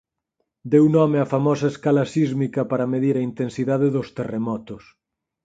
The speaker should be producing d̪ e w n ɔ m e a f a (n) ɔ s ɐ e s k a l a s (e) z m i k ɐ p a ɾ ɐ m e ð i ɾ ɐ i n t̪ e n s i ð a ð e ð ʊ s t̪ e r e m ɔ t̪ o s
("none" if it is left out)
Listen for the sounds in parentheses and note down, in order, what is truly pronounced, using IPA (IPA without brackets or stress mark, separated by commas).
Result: m, i